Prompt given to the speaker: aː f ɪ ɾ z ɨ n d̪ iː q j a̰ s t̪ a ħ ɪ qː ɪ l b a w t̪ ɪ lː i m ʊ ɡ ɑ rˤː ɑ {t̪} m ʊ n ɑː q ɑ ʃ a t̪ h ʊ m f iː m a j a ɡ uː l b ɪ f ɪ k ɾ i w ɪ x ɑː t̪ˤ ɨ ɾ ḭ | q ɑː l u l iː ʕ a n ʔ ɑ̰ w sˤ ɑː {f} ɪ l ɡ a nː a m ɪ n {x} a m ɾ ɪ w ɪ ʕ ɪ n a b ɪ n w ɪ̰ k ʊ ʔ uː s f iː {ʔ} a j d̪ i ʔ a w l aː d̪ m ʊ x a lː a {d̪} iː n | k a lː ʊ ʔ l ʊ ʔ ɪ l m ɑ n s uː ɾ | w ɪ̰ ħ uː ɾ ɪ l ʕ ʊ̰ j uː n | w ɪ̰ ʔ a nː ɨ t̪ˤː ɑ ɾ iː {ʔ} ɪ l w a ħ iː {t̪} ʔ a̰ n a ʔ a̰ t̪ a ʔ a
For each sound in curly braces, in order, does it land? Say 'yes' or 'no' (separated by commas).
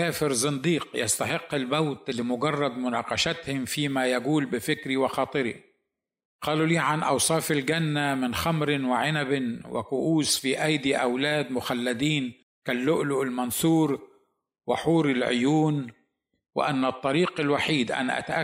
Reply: no, yes, yes, yes, yes, no, no